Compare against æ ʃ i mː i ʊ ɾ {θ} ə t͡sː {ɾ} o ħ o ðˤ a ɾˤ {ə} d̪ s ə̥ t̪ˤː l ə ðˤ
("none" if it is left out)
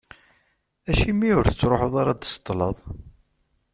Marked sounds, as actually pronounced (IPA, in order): θ, ɾ, ɑ

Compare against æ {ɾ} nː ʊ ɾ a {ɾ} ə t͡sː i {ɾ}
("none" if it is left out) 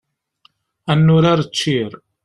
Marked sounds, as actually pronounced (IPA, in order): none, ɾ, ɾ

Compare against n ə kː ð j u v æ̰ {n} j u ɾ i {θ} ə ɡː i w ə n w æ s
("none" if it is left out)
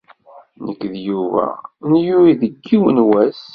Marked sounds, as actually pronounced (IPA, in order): n, ð

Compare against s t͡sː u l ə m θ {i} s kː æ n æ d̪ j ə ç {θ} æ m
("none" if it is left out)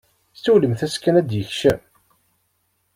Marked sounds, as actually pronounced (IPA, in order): æ, ʃ

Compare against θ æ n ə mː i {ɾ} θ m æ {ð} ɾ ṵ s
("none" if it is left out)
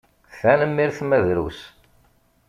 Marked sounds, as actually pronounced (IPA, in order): ɾ, ð

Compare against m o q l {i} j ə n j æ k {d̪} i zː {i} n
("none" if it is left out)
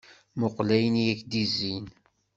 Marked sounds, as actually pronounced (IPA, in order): æ, d̪, i

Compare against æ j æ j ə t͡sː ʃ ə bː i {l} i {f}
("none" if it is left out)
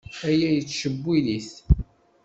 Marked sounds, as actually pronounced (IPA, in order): l, θ

